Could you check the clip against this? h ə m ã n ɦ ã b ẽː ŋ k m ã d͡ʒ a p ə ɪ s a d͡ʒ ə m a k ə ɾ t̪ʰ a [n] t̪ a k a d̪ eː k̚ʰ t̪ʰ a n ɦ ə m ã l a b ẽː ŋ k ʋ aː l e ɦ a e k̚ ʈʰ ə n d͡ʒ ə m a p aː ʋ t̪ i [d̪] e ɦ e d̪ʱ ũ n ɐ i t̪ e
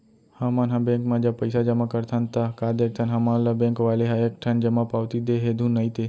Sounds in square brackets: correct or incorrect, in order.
correct, correct

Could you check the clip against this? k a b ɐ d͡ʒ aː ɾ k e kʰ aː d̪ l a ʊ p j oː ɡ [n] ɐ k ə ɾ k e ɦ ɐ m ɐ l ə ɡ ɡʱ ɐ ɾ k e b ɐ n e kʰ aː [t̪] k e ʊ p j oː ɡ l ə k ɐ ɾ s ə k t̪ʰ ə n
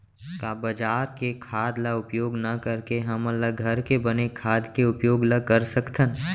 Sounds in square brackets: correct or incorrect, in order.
correct, incorrect: d̪

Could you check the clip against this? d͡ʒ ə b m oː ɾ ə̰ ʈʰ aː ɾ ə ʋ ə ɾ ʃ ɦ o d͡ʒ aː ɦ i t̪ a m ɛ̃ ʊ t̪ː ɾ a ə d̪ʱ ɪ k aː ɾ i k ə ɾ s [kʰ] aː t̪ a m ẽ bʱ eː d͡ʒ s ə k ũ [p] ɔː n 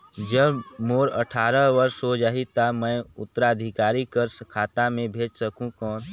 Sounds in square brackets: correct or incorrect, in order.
correct, incorrect: k

